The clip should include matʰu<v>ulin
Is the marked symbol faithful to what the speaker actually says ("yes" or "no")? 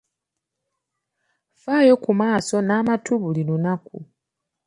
no